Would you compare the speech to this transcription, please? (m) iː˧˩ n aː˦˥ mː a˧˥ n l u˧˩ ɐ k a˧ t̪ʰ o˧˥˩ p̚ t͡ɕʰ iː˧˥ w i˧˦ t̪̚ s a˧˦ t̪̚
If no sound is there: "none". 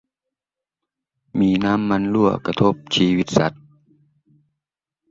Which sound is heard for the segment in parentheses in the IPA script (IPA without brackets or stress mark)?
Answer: m